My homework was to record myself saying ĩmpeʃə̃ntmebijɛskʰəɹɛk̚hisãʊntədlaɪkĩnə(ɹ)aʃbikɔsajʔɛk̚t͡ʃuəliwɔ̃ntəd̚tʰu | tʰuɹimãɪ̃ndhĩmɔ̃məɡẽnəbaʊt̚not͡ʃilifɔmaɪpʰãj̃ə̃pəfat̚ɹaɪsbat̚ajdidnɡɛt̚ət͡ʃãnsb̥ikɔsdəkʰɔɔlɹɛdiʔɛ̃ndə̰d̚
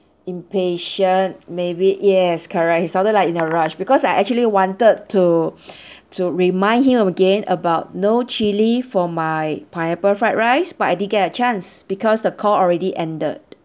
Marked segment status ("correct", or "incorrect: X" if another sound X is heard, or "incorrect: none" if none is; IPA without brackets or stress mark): correct